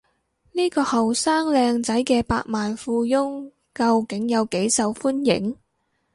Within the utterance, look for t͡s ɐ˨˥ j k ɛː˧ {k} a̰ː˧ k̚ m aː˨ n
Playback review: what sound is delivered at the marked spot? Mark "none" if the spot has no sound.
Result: p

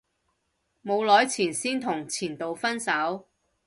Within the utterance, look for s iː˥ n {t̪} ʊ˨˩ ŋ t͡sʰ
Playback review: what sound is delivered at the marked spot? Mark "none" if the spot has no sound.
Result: t̪ʰ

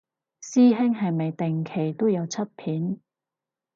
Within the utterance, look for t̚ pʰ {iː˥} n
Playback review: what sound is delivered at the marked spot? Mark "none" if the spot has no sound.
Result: iː˨˥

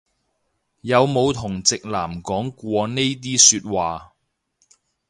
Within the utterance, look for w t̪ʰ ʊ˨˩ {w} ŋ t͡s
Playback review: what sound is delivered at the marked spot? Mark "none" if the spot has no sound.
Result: none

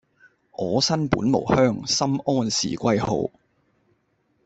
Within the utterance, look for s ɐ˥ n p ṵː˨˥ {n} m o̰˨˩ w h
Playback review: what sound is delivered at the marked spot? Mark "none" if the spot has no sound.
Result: n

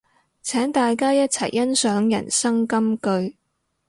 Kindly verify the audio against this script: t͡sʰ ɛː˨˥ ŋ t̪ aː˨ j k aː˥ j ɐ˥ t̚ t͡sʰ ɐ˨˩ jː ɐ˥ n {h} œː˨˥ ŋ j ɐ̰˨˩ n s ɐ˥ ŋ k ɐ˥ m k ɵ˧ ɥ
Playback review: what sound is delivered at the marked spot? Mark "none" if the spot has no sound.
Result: s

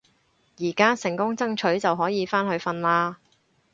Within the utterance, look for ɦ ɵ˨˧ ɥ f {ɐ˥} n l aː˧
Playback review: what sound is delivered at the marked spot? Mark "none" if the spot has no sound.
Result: ɐ˧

